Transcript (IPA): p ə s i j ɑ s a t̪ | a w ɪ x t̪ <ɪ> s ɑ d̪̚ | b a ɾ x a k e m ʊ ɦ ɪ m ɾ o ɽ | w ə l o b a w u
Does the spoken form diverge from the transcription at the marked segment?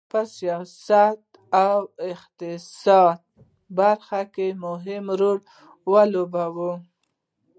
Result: no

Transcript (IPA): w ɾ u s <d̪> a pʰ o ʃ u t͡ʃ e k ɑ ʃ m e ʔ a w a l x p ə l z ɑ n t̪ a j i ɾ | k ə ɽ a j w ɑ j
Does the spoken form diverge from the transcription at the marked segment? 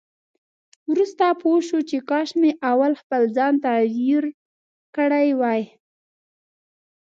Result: yes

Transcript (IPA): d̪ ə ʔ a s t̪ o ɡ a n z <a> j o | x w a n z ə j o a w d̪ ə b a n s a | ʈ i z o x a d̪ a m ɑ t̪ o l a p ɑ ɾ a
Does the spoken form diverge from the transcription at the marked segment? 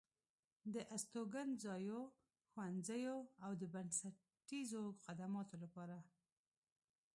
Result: yes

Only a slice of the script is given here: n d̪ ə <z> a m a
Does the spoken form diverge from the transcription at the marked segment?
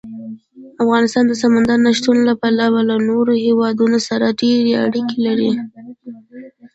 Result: yes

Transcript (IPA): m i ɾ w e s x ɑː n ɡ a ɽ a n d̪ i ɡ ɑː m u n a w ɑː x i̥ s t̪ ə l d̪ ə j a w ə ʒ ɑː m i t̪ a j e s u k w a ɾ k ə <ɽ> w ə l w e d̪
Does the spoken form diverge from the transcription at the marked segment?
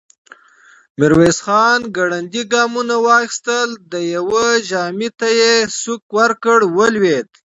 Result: no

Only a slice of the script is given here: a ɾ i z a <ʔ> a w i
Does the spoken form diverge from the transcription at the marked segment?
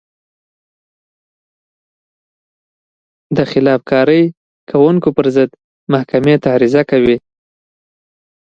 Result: yes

